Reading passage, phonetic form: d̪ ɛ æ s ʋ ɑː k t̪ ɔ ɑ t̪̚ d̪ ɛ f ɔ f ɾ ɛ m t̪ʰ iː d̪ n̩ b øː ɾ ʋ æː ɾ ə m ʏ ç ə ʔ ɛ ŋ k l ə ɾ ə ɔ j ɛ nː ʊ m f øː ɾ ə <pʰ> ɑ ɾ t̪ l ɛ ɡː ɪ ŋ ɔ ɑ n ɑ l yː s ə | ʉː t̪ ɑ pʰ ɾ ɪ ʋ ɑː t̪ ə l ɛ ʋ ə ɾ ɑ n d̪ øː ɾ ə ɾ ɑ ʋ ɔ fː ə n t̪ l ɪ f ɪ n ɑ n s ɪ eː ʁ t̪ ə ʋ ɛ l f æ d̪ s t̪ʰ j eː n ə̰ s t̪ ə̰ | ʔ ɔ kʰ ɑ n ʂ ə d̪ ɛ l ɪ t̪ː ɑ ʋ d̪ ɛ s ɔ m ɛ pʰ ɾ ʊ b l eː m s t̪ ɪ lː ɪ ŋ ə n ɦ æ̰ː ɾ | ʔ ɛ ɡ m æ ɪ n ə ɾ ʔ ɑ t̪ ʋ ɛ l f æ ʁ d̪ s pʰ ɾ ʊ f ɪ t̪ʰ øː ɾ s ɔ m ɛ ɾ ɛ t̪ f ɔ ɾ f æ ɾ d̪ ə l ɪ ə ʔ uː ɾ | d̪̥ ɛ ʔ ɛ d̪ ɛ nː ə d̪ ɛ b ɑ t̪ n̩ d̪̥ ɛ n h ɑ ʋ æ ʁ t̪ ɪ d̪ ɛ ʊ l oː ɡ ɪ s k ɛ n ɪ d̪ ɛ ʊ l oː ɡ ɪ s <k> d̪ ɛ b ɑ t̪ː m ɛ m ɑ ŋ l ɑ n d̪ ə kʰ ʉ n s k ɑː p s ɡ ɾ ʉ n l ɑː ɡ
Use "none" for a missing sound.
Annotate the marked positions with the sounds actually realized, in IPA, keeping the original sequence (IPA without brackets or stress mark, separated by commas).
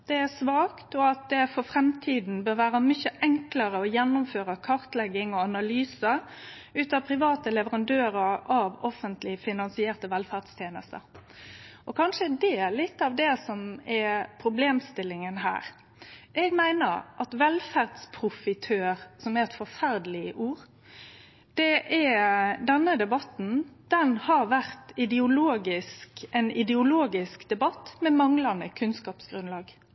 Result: kʰ, k